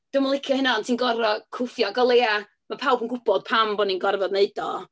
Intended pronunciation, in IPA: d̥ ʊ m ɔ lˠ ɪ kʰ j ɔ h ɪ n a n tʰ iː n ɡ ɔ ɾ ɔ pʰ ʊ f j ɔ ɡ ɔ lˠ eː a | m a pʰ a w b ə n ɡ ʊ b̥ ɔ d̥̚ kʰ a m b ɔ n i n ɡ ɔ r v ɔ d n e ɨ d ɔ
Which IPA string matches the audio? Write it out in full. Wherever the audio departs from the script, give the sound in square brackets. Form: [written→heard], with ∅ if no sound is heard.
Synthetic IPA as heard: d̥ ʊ m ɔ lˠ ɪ kʰ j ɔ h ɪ n a n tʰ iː n ɡ ɔ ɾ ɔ [pʰ→kʰ] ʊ f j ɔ ɡ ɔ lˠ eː a | m a pʰ a w b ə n ɡ ʊ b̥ ɔ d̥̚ [kʰ→pʰ] a m b ɔ n i n ɡ ɔ r v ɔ d n e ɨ d ɔ